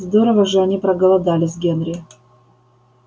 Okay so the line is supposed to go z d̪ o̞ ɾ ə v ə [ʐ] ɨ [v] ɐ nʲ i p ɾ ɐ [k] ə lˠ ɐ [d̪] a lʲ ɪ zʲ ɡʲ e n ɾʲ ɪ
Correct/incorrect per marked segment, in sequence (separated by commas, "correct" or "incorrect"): correct, incorrect, incorrect, correct